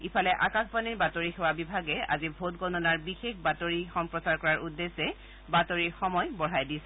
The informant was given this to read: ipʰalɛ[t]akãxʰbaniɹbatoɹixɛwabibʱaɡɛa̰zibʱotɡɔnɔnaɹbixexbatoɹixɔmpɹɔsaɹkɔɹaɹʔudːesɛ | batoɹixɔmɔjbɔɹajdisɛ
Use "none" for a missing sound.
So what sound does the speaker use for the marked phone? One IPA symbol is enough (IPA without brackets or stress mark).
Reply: ʔ